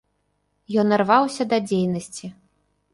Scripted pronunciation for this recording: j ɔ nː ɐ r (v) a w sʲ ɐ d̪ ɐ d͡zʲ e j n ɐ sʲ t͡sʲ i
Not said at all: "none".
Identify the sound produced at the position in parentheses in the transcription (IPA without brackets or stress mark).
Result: v